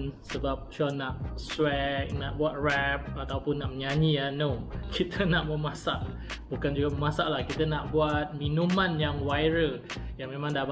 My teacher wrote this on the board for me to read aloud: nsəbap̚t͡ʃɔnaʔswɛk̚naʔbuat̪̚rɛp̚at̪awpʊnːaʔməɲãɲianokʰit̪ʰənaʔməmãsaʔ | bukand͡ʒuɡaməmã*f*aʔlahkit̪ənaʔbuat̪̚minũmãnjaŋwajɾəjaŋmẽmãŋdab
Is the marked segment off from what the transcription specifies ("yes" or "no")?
yes